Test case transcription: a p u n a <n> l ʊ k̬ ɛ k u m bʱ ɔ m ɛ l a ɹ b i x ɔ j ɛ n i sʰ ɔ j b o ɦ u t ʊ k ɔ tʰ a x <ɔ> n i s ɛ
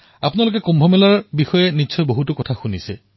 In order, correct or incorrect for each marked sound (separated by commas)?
incorrect, incorrect